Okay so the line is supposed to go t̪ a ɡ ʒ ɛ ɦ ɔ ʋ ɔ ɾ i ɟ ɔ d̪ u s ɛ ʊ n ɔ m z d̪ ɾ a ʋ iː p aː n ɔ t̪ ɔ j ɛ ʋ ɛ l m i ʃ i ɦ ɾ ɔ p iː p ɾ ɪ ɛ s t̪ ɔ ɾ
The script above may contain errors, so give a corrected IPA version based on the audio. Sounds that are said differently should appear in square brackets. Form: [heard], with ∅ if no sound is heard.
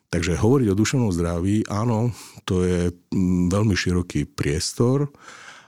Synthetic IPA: t̪ a ɡ ʒ ɛ ɦ ɔ ʋ ɔ ɾ i ɟ ɔ d̪ u [ʃ] ɛ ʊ n ɔ m z d̪ ɾ a ʋ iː [ʔ] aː n ɔ t̪ ɔ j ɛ ʋ ɛ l m i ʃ i [∅] ɾ ɔ [k] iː p ɾ ɪ ɛ s t̪ ɔ ɾ